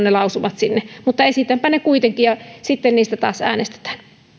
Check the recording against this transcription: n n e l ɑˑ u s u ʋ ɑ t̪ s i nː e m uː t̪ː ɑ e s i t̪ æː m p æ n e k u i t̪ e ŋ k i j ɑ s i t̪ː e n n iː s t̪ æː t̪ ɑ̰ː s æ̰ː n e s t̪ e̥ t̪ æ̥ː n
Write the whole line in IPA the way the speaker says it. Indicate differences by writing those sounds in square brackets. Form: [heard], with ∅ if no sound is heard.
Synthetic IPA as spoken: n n e l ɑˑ u s u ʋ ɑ t̪ s i nː e m [u] t̪ː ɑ e s i t̪ [æ] m p æ n e k u i t̪ e ŋ k i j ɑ s i t̪ː e n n iː s t̪ [æ] t̪ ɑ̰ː s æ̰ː n e s t̪ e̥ t̪ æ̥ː n